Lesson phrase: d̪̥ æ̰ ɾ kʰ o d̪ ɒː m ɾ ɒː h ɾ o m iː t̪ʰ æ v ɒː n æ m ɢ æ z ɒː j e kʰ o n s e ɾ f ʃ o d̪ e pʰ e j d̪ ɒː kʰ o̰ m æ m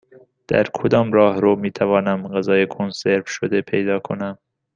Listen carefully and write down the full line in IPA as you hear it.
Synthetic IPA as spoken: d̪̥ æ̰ ɾ kʰ o d̪ ɒː m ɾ ɒː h ɾ o m iː t̪ʰ æ v ɒː n æ m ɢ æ z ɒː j e kʰ o n s e ɾ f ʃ o d̪ e pʰ e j d̪ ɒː kʰ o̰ n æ m